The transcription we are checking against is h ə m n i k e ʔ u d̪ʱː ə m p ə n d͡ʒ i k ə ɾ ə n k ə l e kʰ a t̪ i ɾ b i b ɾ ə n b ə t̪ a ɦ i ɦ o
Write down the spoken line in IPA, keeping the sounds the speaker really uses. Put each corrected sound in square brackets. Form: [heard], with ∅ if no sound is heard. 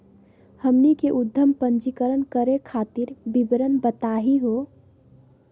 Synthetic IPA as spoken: h ə m n i k e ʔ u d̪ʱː ə m p ə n d͡ʒ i k ə ɾ ə n k ə [ɾ] e kʰ a t̪ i ɾ b i b ɾ ə n b ə t̪ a ɦ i ɦ o